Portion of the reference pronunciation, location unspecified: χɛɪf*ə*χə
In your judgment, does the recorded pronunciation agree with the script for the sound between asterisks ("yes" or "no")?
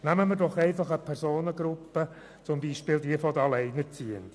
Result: no